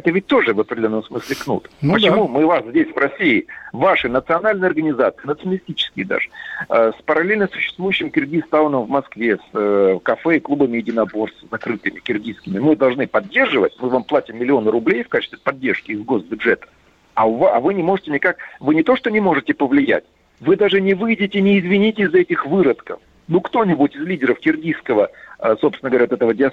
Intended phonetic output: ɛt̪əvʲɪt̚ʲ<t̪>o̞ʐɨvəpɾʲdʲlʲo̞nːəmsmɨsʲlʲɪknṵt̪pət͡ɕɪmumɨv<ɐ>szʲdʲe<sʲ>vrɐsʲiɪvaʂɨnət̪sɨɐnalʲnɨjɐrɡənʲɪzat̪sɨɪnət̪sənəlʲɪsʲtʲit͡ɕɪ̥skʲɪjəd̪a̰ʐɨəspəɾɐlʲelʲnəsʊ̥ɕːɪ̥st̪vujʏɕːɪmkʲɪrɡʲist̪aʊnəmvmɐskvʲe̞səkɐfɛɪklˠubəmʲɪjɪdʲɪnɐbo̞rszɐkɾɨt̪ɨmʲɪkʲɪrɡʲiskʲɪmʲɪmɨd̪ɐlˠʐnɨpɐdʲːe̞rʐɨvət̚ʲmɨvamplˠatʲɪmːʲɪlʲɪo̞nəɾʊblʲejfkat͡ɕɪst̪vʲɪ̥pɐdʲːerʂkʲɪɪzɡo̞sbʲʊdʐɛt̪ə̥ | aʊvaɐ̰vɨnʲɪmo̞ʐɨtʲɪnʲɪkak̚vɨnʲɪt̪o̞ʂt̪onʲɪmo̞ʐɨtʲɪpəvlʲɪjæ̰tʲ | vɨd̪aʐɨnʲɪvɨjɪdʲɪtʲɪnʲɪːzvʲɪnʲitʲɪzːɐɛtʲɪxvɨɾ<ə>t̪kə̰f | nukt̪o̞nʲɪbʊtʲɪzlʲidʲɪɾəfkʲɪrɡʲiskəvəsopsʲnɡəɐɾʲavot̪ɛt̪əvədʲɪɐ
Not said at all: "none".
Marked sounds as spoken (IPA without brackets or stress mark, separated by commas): t̪, a, sʲ, ə